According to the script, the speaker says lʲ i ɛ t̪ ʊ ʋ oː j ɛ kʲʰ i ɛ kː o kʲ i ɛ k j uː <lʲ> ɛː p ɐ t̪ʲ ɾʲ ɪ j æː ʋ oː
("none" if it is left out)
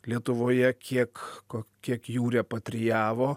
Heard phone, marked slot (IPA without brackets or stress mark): ɾʲ